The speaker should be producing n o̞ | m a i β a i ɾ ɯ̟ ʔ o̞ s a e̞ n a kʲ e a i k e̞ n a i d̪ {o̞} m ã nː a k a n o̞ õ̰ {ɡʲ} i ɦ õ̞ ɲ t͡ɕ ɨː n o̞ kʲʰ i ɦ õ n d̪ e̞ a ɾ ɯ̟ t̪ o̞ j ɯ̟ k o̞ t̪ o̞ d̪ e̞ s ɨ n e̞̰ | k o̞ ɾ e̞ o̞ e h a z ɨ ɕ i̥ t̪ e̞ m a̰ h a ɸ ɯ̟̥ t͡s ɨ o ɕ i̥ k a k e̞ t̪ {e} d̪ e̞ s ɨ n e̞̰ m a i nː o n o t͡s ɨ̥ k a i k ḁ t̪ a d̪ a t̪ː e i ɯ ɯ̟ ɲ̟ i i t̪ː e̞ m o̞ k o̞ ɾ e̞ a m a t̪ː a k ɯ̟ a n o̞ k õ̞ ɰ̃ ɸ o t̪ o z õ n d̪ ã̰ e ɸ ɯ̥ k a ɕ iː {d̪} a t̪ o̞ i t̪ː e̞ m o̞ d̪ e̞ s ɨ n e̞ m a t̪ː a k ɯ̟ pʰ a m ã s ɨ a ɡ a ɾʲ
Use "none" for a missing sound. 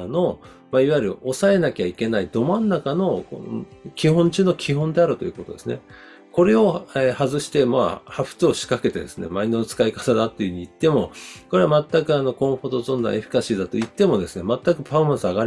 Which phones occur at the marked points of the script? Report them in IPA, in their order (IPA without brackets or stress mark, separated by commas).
o̞, kʲ, e, d̪